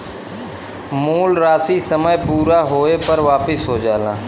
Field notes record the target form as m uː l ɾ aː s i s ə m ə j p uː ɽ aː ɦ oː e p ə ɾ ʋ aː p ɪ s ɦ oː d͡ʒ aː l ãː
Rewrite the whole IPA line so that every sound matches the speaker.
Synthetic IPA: m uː l ɾ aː s i s ə m ə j p uː ɾ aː ɦ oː e p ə ɾ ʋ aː p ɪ s ɦ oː d͡ʒ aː l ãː